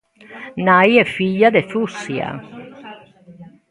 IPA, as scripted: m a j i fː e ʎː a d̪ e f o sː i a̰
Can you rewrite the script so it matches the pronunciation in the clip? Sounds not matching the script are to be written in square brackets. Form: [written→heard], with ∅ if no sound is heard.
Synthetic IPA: [m→n] a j [i→ɛ] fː [e→i] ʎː a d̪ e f [o→u] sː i a̰